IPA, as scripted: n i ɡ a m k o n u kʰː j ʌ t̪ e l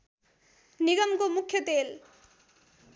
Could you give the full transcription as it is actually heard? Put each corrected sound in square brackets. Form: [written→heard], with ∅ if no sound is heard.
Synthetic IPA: n i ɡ [a→ʌ] m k o [n→m] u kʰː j ʌ t̪ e l

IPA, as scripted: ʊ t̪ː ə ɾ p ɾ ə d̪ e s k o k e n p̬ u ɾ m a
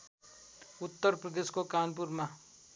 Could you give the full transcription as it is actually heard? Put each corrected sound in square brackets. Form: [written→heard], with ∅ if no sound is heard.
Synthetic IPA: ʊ t̪ː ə ɾ p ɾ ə d̪ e s k o k [e→a] n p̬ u ɾ m a

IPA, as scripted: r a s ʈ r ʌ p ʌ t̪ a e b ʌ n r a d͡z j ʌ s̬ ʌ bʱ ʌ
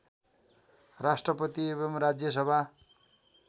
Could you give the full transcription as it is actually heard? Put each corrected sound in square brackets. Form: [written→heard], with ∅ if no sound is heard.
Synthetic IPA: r a s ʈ r ʌ p ʌ t̪ [a→i] e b ʌ [n→m] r a d͡z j ʌ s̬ ʌ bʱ [ʌ→a]

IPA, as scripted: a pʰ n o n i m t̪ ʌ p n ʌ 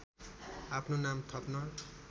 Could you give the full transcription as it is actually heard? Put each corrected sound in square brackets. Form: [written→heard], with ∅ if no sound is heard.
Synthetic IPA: a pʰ n o n [i→a] m [t̪→t̪ʰ] ʌ p n ʌ

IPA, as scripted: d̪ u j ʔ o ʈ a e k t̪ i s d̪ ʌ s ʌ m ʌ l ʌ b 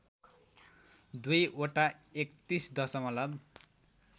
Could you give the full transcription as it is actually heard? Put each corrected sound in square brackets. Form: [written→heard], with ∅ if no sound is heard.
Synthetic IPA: d̪ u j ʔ o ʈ a e k t̪ i s d̪ ʌ s ʌ m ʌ l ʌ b

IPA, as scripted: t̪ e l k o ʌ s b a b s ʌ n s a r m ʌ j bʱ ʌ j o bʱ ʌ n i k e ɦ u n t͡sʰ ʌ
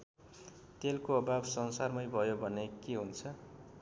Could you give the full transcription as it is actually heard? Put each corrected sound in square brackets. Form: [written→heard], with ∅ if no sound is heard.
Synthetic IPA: t̪ e l k o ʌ [s→∅] b a b s ʌ n s a r m ʌ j bʱ ʌ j o bʱ ʌ n [i→e] k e ɦ u n t͡sʰ ʌ

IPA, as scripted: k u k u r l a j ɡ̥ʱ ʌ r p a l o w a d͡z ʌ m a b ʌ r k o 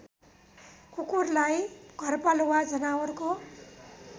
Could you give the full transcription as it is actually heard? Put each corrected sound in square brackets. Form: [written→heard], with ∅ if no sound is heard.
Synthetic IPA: k u k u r l a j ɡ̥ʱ ʌ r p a l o w a d͡z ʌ [m→n] a [b→w] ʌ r k o

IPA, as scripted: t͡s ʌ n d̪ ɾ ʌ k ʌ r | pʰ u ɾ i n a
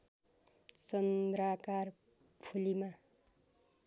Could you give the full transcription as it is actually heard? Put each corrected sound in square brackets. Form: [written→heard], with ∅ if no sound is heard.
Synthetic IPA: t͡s ʌ n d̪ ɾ [ʌ→a] k [ʌ→a] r | pʰ u [ɾ→l] i [n→m] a

